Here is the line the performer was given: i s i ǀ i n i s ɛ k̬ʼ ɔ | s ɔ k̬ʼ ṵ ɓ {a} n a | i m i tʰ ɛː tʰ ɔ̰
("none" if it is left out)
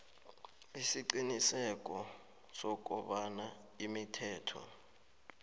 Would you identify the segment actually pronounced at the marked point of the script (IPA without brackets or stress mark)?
a